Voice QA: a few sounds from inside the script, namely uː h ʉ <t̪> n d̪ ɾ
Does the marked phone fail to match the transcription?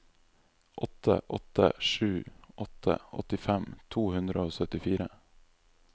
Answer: yes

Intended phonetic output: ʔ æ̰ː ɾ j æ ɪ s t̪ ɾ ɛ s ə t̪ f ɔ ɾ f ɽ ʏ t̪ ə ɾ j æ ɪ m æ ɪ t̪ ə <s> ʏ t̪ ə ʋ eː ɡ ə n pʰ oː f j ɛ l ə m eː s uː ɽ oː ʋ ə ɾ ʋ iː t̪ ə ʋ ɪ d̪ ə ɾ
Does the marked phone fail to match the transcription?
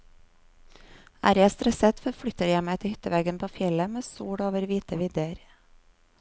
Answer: yes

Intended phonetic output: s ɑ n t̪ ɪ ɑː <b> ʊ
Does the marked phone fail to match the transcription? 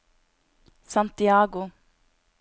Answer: yes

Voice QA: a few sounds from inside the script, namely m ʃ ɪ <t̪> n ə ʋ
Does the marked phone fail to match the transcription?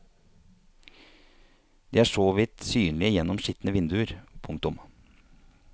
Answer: no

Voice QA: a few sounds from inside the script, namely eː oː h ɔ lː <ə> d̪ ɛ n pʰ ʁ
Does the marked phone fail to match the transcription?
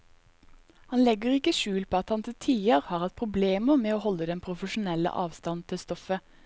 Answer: no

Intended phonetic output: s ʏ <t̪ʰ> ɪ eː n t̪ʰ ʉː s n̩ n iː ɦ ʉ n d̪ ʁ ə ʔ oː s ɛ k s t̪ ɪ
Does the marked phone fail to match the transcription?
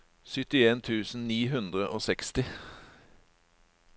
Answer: yes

